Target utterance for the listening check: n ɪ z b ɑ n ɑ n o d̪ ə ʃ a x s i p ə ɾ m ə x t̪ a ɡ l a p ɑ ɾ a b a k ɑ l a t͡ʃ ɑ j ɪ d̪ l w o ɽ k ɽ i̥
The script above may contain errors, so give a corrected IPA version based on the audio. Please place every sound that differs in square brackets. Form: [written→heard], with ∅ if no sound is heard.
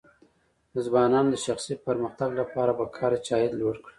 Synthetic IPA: n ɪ z b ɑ n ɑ n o d̪ ə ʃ a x s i p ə ɾ m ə x t̪ a ɡ l a p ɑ ɾ a b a [k→kʰ] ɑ [l→ɾ] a t͡ʃ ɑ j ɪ d̪ l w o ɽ k ɽ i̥